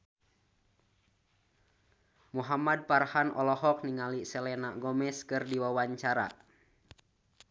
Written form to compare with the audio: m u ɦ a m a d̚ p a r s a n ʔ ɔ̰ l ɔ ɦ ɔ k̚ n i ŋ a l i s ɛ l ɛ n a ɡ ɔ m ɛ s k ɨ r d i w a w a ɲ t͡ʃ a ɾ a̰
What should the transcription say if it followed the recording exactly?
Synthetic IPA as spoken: m u ɦ a m a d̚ p a r h a n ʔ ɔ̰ l ɔ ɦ ɔ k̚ n i ŋ a l i s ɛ l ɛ n a ɡ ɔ m ɛ s k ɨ r d i w a w a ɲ t͡ʃ a ɾ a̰